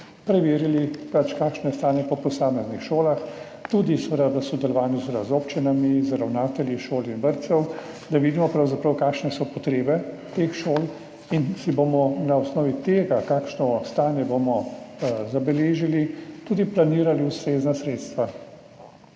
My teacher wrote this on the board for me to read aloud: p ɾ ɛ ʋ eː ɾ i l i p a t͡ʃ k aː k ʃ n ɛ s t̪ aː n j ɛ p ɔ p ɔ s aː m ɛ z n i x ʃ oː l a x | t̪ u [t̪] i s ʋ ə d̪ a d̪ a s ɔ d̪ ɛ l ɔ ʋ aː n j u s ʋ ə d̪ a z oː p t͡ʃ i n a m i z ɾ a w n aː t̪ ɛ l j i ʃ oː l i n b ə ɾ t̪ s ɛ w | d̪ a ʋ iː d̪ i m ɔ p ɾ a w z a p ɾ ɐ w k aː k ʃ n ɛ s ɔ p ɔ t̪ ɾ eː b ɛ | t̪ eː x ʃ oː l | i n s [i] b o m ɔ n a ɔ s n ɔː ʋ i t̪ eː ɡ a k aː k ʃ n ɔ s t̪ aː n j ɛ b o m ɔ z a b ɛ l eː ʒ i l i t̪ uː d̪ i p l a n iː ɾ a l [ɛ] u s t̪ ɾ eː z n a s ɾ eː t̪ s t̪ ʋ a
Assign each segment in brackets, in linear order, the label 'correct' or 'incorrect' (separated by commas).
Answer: incorrect, correct, incorrect